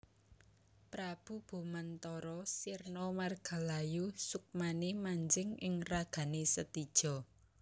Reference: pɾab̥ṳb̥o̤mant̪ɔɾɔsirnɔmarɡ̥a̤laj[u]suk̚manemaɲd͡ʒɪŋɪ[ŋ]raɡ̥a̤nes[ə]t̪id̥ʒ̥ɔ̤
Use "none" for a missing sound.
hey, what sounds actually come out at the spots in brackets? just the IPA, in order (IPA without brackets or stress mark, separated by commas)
u, ŋ, ə